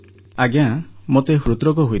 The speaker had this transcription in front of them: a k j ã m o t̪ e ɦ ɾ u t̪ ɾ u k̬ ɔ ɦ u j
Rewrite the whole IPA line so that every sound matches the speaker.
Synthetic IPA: a ɡ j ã m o t̪ e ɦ ɾ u t̪ ɾ ɔ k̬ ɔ ɦ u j